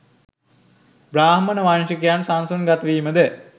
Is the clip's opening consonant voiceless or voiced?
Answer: voiced